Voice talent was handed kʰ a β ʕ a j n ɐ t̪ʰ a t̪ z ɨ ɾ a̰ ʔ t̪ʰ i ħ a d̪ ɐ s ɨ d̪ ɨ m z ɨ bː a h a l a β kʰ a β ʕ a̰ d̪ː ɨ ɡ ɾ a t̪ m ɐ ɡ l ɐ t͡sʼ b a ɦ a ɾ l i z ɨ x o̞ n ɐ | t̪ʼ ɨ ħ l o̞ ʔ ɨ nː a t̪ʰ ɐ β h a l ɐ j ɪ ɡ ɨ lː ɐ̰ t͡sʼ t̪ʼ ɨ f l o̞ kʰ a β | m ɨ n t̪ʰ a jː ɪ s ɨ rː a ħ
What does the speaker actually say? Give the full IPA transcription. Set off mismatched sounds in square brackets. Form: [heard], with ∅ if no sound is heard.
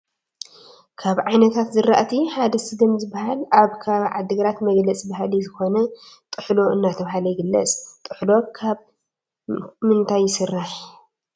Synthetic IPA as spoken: kʰ a β ʕ a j n ɐ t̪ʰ a t̪ z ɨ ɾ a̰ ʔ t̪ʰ i ħ a d̪ ɐ s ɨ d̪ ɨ m z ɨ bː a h a l a β kʰ a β ʕ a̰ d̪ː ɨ ɡ ɾ a t̪ m ɐ ɡ l ɐ t͡sʼ b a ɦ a [∅] l i z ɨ x o̞ n ɐ | t̪ʼ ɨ ħ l o̞ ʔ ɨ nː a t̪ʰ ɐ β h a l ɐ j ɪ ɡ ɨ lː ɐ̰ t͡sʼ t̪ʼ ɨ [ħ] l o̞ kʰ a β | m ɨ n t̪ʰ a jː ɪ s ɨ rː a ħ